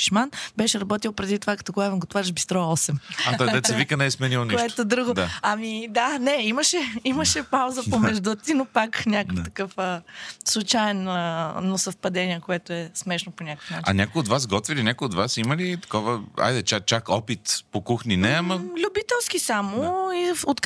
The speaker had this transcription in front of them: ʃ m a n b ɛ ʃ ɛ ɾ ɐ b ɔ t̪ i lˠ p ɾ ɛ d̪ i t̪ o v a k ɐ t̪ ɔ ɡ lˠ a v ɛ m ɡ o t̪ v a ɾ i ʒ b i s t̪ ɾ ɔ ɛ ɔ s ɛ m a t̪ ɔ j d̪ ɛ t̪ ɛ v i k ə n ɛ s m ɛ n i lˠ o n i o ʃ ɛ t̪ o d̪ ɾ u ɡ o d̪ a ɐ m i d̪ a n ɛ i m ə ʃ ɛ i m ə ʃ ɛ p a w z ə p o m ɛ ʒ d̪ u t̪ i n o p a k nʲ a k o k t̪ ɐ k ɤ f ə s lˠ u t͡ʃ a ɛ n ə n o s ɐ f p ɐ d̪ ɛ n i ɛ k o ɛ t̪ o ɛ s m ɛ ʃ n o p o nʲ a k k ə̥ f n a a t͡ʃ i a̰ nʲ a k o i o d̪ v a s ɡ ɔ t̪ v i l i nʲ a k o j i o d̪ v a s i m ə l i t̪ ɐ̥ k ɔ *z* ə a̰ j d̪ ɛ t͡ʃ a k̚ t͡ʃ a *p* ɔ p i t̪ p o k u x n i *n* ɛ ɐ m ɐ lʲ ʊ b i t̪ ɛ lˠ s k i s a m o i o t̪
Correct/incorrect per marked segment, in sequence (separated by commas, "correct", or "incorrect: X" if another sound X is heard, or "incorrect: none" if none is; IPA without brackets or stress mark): incorrect: v, incorrect: k, correct